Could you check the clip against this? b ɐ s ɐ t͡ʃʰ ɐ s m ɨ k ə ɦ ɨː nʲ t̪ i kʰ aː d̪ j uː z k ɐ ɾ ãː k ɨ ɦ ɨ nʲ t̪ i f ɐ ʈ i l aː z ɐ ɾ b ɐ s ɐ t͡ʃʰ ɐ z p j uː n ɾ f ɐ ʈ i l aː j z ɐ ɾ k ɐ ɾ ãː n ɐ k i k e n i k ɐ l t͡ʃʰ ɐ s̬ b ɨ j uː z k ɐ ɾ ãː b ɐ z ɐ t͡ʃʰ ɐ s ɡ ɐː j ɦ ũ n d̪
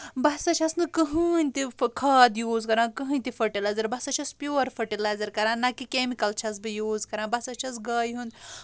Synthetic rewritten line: b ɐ s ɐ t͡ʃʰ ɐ s n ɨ k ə ɦ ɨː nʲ t̪ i kʰ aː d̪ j uː z k ɐ ɾ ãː k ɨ ɦ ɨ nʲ t̪ i f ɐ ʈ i l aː z ɐ ɾ b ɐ s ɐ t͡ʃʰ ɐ s p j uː ɾ f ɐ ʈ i l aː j z ɐ ɾ k ɐ ɾ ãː n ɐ k i k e m i k ɐ l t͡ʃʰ ɐ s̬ b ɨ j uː z k ɐ ɾ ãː b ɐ s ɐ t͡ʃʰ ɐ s ɡ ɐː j ɦ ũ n d̪